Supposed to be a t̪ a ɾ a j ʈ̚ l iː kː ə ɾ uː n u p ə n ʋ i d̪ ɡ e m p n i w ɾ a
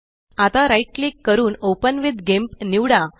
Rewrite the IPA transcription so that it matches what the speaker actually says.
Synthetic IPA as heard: a t̪ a ɾ a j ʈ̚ l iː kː ə ɾ uː n o p ə n ʋ i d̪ ɡ e m p n i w ɽ a